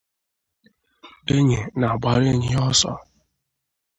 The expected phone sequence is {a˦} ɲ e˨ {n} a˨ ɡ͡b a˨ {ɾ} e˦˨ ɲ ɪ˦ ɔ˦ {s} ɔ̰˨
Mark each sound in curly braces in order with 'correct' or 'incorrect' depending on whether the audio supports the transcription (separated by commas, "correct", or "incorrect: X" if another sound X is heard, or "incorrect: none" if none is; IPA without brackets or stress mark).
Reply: incorrect: e˦, correct, correct, correct